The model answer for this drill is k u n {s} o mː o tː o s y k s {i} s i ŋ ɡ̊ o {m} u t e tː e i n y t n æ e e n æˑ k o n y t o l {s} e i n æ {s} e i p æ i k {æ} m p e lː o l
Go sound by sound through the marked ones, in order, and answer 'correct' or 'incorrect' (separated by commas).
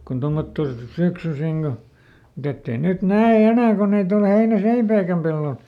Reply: incorrect, incorrect, correct, incorrect, correct, correct